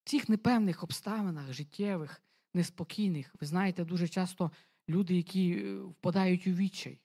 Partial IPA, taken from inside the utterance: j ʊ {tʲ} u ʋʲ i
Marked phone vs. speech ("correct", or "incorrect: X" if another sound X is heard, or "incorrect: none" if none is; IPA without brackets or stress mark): correct